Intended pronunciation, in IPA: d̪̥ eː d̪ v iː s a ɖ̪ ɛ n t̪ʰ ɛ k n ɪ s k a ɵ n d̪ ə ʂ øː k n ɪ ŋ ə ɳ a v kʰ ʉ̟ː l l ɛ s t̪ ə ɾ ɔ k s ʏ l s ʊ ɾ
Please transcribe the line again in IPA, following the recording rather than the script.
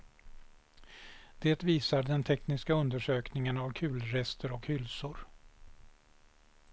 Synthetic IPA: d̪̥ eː t̪ v iː s a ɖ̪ ɛ n t̪ʰ ɛ k n ɪ s k a ɵ n d̪ ə ʂ øː k n ɪ ŋ ə n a v kʰ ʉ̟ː l ɾ ɛ s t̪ ə ɾ ɔ k h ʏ l s ʊ ɾ